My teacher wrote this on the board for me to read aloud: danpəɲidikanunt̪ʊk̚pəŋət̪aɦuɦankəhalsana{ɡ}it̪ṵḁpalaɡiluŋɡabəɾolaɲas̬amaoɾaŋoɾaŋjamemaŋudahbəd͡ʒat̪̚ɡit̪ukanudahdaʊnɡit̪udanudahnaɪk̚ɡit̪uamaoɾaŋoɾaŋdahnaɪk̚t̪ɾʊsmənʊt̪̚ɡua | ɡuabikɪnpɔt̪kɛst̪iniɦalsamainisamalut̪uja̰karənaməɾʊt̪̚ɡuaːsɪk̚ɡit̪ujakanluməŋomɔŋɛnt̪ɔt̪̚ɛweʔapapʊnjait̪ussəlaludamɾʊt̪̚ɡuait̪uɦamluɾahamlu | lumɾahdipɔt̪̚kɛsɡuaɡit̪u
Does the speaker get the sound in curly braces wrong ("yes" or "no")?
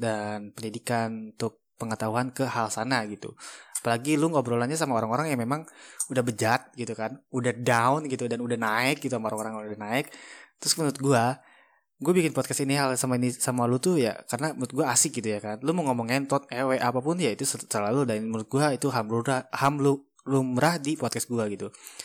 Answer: no